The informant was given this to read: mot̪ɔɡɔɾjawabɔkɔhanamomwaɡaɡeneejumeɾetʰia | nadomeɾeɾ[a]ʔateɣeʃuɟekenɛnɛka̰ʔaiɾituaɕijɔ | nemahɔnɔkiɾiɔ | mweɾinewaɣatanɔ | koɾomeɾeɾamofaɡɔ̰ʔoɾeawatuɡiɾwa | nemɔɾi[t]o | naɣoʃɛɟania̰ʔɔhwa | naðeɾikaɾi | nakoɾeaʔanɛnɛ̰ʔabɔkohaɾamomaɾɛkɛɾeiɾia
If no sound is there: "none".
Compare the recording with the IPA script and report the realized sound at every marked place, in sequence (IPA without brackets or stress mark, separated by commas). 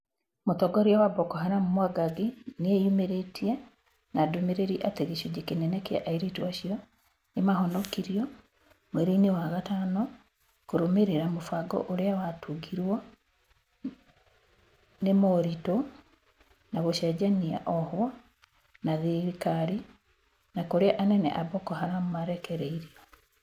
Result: i, t